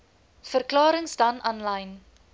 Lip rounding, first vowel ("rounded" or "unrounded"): unrounded